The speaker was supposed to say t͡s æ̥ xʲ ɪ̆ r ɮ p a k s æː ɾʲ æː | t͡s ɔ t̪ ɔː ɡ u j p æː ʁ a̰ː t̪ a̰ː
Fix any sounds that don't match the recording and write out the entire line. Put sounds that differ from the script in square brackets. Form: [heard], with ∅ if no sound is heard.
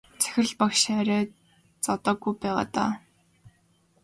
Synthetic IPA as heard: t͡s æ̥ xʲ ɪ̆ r ɮ p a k [ʃ] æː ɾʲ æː | t͡s ɔ t̪ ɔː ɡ u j p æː ʁ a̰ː t̪ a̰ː

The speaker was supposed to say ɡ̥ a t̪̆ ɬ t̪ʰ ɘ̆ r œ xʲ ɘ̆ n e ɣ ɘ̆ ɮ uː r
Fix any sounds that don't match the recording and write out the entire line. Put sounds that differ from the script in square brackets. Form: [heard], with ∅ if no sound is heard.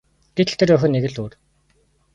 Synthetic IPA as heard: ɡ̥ [e] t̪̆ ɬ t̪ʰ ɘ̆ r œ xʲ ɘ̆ n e ɣ ɘ̆ ɮ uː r

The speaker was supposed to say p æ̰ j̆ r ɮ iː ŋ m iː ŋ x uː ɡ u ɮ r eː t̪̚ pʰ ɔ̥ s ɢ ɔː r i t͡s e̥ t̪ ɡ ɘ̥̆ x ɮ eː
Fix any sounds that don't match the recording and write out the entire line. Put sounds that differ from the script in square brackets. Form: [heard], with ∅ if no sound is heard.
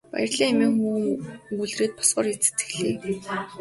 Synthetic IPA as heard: p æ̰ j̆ r ɮ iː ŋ m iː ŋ x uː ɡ u ɮ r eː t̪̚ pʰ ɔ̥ s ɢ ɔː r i t͡s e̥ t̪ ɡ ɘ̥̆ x ɮ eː

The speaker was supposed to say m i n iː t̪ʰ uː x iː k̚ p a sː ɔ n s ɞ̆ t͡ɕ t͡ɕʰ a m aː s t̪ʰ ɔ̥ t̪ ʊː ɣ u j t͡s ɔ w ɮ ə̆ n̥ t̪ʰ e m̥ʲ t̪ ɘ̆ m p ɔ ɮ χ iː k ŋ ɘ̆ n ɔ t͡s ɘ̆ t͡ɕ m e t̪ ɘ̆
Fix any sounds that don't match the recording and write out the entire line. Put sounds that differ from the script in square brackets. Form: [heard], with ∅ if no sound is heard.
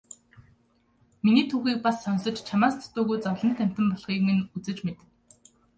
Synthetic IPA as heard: m i n iː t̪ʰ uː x iː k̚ p a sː ɔ n s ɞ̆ t͡ɕ t͡ɕʰ a m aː s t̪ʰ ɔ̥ t̪ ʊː ɣ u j t͡s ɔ w ɮ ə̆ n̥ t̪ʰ [æ] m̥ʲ t̪ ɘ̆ m p ɔ ɮ χ iː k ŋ ɘ̆ n [u] t͡s ɘ̆ t͡ɕ m e t̪ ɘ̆

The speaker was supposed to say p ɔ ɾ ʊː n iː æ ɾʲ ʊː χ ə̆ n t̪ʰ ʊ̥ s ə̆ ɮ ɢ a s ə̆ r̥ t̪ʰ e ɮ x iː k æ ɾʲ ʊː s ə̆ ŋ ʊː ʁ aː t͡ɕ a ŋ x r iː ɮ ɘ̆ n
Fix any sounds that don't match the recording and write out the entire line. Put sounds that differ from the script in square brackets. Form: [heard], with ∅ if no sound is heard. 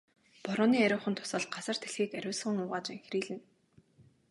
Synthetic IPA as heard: p ɔ ɾ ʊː n iː æ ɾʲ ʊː χ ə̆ n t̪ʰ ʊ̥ s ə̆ ɮ ɢ a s ə̆ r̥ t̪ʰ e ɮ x iː k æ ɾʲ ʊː s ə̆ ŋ ʊː ʁ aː t͡ɕ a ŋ x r iː ɮ ɘ̆ n

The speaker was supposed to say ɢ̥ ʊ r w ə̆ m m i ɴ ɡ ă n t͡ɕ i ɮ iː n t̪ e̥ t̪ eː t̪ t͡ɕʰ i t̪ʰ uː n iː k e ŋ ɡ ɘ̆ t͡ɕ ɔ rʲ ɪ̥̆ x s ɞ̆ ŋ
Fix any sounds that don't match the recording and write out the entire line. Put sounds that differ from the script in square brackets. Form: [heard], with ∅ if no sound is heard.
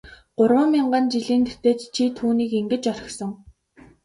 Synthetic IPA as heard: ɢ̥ ʊ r w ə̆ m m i ɴ [ɢ] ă n t͡ɕ i ɮ iː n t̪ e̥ t̪ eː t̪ t͡ɕʰ i t̪ʰ uː n iː k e ŋ ɡ ɘ̆ t͡ɕ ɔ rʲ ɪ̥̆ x s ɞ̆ ŋ

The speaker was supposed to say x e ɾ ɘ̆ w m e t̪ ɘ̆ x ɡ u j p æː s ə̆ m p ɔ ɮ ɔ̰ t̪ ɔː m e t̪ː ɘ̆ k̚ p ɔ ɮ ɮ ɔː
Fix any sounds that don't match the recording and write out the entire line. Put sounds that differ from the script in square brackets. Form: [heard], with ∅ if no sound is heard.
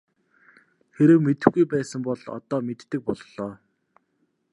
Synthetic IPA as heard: x e ɾ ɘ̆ w m e t̪ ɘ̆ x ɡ u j p æː s ə̆ m p ɔ ɮ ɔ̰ t̪ ɔː m e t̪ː ɘ̆ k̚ p ɔ ɮ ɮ ɔː

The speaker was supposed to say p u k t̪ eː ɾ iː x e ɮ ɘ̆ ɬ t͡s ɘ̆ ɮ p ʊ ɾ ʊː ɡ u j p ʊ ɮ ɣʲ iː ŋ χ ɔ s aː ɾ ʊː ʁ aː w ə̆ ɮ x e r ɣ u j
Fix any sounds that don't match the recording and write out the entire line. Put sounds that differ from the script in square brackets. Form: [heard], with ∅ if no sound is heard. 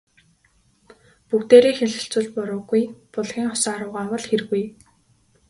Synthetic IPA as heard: p u k t̪ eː ɾ iː x e ɮ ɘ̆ ɬ t͡s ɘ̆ ɮ p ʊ ɾ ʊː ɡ u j p ʊ ɮ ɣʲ iː ŋ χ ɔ s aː ɾ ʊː ʁ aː w ə̆ ɮ x e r ɣ u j

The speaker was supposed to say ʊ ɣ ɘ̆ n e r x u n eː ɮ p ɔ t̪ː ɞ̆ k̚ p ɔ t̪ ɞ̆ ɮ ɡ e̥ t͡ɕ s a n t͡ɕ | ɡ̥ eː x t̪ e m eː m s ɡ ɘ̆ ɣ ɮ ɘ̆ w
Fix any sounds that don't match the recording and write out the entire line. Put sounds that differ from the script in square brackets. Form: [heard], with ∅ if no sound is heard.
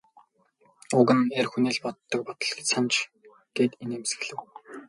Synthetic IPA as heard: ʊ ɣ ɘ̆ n e r x u n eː ɮ p ɔ t̪ː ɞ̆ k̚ p ɔ t̪ ɞ̆ ɮ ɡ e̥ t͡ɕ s a n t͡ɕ | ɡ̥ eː [∅] t̪ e [n] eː m s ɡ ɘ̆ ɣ ɮ ɘ̆ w

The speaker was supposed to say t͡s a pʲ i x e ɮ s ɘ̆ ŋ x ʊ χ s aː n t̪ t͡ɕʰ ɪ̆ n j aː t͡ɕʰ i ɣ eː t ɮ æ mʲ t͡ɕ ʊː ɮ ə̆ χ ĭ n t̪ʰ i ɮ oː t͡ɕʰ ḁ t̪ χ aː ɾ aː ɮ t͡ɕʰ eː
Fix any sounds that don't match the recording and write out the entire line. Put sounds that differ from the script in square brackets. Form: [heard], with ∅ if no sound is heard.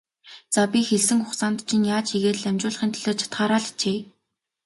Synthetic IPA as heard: t͡s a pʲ i x e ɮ s ɘ̆ ŋ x ʊ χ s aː n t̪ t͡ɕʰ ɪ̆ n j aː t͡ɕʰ i ɣ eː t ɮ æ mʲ t͡ɕ ʊː ɮ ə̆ χ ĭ n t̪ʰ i ɮ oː t͡ɕʰ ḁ t̪ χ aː ɾ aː ɮ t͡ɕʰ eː

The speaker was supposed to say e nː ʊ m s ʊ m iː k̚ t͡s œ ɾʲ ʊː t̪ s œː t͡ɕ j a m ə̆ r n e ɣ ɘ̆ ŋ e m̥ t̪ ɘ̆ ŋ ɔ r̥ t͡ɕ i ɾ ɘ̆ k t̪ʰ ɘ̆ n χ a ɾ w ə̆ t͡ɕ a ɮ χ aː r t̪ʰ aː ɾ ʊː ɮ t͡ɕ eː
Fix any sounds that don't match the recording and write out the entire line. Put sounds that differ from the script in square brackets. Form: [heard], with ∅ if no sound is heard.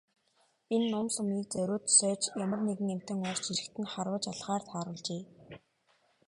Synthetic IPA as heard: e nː ʊ m s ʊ m iː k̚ t͡s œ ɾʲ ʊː t̪ s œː t͡ɕ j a m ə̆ r n e ɣ ɘ̆ ŋ e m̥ t̪ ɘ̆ ŋ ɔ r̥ t͡ɕ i ɾ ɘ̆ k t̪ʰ ɘ̆ n χ a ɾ w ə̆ t͡ɕ a ɮ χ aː r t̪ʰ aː ɾ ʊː ɮ t͡ɕ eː

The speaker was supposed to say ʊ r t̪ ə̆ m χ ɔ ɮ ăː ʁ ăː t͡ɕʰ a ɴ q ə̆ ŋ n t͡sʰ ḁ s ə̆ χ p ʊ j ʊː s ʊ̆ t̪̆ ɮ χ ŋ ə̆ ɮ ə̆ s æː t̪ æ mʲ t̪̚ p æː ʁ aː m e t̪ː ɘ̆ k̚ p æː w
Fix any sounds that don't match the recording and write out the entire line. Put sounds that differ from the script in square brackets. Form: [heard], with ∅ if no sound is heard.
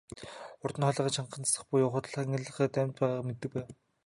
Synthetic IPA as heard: ʊ r t̪ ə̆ [n] χ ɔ ɮ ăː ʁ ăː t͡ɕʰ a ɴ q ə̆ [∅] n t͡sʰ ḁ s ə̆ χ p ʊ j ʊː [χ] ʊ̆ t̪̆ ɮ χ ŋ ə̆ ɮ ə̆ [χ] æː t̪ æ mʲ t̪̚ p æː ʁ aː m e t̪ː ɘ̆ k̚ p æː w

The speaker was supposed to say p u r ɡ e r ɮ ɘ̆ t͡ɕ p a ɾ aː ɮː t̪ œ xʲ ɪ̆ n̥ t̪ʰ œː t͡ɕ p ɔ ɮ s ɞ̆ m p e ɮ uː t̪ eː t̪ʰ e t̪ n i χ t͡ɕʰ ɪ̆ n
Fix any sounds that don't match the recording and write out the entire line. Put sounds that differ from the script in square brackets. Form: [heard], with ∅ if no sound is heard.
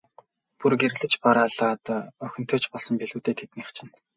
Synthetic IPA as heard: p u r ɡ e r ɮ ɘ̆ t͡ɕ p a ɾ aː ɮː t̪ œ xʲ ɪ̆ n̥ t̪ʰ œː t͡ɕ p ɔ ɮ s ɞ̆ m p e ɮ uː t̪ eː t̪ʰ e t̪ n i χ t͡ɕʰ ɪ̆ n

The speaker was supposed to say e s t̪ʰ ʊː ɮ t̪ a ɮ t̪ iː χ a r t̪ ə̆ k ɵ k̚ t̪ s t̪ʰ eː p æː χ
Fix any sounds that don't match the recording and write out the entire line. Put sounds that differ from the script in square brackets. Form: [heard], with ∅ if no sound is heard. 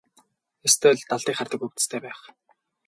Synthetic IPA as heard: e s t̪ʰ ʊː ɮ t̪ a ɮ t̪ iː χ a r t̪ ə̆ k ɵ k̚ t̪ s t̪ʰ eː p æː χ

